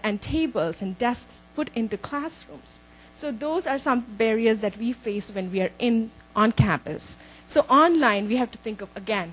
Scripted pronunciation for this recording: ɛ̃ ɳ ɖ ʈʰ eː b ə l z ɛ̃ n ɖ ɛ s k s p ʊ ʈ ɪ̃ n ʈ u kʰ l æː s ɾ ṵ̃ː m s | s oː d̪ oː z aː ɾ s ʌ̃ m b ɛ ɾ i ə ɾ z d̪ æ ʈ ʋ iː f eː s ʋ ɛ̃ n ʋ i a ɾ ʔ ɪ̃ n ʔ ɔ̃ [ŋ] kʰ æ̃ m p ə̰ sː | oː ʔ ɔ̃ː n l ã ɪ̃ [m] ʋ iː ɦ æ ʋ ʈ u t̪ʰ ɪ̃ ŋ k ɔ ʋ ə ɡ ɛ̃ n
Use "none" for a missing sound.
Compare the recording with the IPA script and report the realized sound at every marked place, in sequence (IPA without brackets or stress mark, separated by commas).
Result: n, n